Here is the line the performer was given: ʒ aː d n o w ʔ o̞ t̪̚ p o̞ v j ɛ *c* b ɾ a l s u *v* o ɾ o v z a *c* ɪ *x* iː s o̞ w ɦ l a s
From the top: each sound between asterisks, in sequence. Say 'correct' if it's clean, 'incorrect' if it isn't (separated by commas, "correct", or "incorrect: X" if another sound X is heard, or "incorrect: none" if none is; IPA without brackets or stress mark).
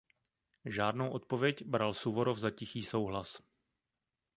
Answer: correct, correct, correct, correct